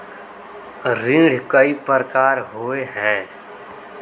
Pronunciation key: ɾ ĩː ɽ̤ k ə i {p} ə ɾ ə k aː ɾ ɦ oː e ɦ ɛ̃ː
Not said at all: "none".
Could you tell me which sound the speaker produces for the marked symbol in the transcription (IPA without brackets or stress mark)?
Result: p